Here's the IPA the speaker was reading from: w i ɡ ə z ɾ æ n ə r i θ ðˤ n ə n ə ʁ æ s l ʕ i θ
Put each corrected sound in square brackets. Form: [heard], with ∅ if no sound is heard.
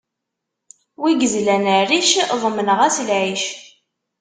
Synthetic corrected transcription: w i ɡ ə z [l] æ n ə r i [ʃ] ðˤ [m] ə n ə ʁ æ s l ʕ i [ʃ]